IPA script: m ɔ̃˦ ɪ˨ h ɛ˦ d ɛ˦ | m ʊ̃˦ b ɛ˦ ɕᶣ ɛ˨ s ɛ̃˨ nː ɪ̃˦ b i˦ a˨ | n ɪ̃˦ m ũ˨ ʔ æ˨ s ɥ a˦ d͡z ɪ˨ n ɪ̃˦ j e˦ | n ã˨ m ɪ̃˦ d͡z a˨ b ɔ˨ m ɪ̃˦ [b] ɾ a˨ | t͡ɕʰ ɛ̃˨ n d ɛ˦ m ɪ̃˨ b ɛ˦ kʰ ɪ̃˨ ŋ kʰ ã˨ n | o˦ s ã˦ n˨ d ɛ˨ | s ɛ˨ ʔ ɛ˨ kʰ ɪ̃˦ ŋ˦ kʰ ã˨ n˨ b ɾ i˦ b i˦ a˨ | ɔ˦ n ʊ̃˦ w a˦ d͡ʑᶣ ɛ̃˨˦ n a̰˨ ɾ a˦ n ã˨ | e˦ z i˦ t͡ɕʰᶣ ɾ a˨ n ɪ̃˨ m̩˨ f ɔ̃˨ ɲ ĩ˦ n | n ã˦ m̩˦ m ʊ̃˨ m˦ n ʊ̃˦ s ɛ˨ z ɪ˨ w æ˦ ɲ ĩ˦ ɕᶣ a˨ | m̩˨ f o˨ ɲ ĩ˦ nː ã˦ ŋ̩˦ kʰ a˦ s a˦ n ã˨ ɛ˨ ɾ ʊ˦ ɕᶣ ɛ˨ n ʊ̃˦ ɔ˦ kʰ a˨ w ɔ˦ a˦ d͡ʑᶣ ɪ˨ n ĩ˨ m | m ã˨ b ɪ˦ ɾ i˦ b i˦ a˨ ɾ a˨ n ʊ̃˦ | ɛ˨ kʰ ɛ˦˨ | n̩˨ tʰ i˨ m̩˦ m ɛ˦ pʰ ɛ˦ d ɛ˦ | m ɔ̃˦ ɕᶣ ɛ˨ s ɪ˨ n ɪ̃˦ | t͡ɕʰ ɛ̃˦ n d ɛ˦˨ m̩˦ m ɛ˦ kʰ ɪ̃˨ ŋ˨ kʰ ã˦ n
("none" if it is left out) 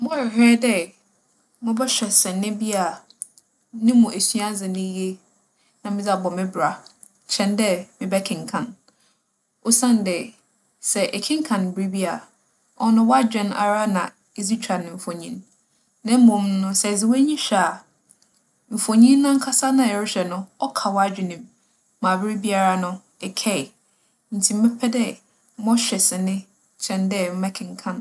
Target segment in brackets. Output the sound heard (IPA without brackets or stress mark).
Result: b